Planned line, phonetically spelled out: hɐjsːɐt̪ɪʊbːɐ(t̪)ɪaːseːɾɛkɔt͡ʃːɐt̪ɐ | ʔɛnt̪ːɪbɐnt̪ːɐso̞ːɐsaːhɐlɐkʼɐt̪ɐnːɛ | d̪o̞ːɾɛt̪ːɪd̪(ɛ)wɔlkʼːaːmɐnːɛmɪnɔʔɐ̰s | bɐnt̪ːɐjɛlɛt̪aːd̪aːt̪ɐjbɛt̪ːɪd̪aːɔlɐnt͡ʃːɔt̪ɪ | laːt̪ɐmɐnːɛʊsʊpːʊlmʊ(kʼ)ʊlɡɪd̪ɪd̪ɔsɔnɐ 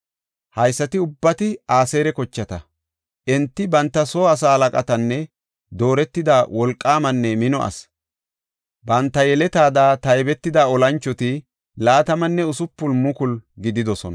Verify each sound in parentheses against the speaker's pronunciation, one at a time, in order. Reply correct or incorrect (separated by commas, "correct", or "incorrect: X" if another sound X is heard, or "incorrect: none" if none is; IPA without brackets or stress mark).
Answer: correct, incorrect: a, incorrect: k